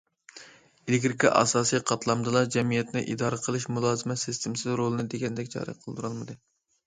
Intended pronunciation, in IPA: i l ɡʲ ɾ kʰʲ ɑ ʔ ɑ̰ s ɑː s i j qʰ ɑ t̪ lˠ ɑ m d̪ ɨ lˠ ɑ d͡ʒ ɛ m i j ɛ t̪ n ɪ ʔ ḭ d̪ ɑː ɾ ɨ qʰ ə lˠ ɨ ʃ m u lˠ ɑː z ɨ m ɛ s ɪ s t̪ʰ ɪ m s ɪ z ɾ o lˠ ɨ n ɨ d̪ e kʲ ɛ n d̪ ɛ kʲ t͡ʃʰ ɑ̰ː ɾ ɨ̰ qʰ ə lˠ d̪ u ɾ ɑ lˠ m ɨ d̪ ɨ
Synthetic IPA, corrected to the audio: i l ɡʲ ɾ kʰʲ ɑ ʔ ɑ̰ s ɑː s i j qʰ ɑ t̪ lˠ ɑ m d̪ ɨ lˠ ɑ d͡ʒ ɛ m i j ɛ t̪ n ɪ ʔ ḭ d̪ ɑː ɾ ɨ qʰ ə lˠ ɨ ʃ m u lˠ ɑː z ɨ m ɛ s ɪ s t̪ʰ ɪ m s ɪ z ɾ o lˠ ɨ n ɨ d̪ e ɡʲ ɛ n d̪ ɛ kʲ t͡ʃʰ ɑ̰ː ɾ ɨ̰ qʰ ə lˠ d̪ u ɾ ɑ lˠ m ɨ d̪ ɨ